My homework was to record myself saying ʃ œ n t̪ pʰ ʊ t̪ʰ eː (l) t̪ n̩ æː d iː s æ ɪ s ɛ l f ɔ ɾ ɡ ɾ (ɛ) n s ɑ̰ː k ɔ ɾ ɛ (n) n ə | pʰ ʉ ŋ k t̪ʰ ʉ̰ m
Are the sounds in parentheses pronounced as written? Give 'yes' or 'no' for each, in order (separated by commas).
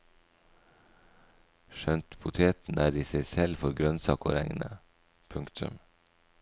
no, no, no